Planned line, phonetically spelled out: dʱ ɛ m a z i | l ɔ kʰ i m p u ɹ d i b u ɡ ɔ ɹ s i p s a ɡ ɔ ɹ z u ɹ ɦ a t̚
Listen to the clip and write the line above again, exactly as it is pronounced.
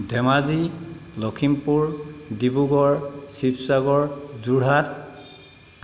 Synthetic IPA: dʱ ɛ m a z i | l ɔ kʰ i m p u ɹ d i b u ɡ ɔ ɹ s i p s a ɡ ɔ ɹ z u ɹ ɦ a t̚